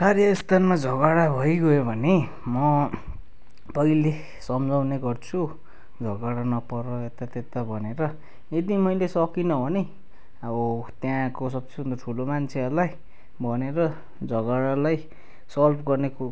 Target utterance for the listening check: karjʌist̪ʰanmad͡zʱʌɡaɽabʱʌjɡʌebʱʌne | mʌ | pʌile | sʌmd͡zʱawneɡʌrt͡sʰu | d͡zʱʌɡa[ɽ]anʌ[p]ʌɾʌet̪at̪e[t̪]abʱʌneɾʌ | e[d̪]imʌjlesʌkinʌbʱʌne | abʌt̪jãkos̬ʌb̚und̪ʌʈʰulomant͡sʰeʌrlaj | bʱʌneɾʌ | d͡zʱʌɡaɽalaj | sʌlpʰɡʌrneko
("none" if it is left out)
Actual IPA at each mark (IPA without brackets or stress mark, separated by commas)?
ɽ, p, t̪, d̪